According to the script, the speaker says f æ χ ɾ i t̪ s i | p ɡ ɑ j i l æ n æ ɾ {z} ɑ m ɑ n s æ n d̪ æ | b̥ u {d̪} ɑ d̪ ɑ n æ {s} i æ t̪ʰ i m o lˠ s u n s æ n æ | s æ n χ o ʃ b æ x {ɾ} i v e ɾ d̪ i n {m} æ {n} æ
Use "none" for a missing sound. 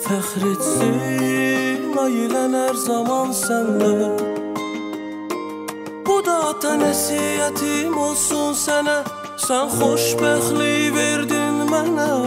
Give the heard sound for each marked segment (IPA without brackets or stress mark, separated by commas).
z, d̪, s, l, m, n